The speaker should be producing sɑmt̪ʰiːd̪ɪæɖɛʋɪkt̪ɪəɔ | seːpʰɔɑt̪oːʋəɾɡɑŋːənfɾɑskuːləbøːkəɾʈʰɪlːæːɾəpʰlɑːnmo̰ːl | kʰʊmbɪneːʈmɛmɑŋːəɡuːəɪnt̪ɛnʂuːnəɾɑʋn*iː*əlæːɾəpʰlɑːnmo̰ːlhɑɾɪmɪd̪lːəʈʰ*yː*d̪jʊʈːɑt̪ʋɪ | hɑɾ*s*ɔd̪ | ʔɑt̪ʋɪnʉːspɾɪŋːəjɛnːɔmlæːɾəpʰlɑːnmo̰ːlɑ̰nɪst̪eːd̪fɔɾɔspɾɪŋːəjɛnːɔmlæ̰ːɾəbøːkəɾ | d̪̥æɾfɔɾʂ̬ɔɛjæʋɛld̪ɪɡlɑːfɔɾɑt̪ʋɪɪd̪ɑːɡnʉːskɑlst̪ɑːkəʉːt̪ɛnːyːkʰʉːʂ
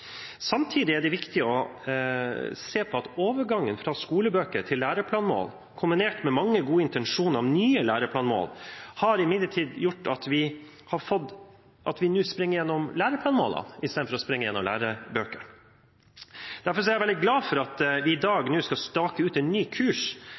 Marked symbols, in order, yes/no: no, no, no

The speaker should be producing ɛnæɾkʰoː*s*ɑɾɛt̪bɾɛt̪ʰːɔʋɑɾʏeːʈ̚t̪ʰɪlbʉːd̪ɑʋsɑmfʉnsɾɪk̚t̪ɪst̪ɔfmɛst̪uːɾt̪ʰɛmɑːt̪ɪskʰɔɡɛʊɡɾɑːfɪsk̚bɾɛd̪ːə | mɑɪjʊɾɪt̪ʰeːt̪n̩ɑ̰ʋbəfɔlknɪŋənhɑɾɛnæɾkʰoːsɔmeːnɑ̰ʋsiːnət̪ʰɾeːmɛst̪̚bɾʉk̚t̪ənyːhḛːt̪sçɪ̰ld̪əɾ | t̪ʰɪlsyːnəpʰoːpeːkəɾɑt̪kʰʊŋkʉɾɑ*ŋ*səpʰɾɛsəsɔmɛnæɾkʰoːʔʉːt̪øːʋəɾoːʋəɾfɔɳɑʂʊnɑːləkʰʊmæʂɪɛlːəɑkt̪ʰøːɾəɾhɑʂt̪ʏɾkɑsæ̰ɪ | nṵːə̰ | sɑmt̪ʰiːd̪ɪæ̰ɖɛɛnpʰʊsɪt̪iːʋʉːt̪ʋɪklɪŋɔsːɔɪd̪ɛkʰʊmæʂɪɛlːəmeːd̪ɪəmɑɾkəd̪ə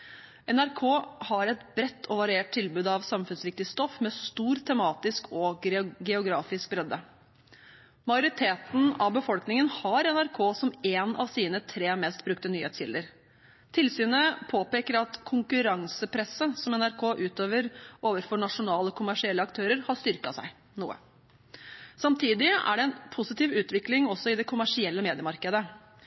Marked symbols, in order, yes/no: no, yes

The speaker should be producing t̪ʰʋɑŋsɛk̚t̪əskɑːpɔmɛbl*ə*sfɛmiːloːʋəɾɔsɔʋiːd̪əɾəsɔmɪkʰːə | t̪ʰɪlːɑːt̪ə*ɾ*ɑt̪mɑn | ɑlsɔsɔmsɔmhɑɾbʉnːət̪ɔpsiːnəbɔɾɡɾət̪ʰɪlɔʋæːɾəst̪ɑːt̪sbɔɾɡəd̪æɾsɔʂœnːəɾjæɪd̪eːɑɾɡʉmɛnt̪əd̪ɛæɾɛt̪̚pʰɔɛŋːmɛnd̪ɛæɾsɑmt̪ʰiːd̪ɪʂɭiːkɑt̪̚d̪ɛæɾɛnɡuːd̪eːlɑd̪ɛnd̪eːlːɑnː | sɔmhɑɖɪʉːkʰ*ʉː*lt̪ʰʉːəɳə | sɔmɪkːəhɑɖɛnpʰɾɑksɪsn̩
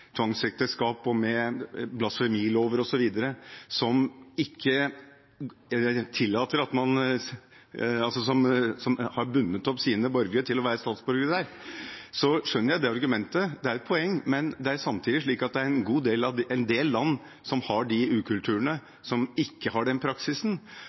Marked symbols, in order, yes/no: no, yes, no

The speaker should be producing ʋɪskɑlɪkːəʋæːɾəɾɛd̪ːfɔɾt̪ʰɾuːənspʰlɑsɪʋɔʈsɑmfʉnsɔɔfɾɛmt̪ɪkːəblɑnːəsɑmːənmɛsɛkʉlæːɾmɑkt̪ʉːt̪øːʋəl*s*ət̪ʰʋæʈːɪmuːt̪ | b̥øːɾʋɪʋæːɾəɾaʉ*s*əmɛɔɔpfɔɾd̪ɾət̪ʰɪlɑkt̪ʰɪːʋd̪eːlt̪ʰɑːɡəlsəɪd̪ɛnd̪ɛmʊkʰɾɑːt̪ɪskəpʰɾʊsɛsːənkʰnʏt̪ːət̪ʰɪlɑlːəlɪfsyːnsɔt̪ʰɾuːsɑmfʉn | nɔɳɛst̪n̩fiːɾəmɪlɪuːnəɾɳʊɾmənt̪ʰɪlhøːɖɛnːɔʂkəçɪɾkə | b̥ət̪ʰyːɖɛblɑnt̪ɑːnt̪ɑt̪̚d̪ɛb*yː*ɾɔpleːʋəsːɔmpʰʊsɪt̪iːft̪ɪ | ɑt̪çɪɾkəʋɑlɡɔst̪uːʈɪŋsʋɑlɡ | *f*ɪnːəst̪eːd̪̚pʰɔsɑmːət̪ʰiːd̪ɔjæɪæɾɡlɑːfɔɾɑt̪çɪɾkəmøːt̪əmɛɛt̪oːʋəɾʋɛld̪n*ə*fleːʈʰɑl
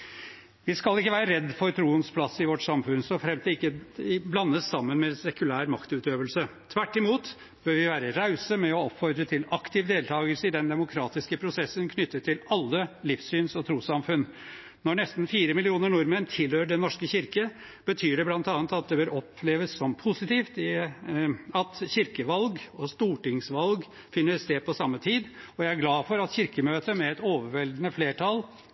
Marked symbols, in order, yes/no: yes, yes, no, yes, yes

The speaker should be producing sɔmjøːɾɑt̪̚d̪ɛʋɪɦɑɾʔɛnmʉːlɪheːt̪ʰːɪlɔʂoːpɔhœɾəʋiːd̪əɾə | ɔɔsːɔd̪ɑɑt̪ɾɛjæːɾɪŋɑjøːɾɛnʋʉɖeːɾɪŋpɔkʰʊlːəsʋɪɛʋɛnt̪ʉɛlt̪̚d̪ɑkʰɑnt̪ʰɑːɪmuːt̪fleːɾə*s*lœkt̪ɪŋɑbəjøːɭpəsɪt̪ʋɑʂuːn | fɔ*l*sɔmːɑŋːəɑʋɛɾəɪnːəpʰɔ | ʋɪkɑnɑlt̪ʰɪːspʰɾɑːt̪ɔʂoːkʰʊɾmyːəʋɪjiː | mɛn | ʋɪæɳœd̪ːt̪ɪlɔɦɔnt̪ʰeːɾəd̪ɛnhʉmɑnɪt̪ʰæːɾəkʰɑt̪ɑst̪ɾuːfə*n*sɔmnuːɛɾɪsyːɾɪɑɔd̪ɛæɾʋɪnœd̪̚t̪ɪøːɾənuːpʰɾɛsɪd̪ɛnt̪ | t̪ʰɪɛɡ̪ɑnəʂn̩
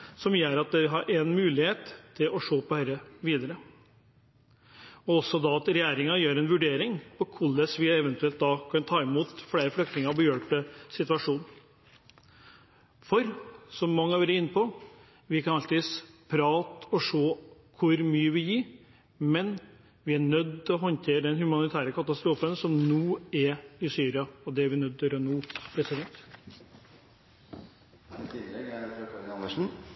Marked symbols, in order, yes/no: no, no, yes

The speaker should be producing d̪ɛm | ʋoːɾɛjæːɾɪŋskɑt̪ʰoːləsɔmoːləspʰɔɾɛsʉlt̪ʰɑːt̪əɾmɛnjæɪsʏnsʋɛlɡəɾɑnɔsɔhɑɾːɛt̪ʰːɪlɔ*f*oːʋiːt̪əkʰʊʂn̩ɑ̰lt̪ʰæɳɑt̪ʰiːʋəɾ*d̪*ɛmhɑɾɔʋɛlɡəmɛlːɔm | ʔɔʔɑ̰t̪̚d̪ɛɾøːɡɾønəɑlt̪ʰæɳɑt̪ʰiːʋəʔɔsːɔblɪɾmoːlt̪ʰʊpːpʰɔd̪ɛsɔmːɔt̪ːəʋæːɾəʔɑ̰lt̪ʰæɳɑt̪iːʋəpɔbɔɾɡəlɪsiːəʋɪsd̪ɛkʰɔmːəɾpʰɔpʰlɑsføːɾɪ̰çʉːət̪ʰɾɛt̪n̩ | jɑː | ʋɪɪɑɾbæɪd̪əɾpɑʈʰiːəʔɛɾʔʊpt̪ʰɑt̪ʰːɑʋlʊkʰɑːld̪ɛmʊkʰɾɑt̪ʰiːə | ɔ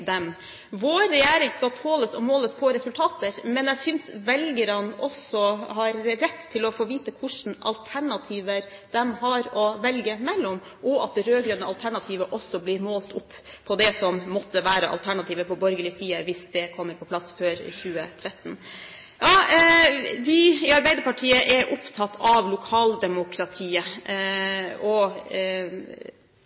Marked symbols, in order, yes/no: yes, yes

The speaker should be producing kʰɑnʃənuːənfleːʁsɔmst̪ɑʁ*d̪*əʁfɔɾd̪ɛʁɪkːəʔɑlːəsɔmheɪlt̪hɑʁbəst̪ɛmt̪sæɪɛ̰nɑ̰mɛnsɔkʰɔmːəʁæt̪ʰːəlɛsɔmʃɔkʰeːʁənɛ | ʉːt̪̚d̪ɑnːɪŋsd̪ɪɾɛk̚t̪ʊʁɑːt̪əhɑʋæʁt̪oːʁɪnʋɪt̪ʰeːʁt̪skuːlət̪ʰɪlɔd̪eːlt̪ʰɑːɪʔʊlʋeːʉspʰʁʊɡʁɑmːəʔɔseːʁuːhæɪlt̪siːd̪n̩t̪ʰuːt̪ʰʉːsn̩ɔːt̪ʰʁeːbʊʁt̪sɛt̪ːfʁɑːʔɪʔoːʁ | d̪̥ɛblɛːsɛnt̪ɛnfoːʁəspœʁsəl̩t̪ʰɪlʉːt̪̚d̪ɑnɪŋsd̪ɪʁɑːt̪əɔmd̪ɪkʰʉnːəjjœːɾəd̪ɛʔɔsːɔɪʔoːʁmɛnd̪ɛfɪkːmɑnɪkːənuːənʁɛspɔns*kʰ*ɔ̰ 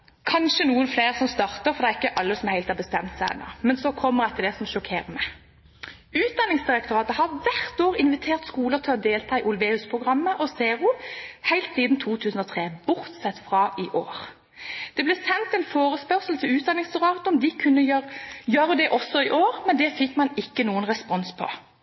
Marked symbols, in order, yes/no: no, no

